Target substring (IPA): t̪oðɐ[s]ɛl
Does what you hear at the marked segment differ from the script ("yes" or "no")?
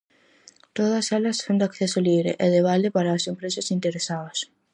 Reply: no